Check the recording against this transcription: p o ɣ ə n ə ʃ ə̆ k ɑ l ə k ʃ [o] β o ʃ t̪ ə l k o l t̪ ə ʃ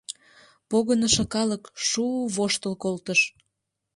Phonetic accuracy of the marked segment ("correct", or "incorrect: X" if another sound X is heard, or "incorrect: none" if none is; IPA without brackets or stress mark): incorrect: u